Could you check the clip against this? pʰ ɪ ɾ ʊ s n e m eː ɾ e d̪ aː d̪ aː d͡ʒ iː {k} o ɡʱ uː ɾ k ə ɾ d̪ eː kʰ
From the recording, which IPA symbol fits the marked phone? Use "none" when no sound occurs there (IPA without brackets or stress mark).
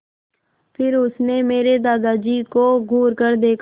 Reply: k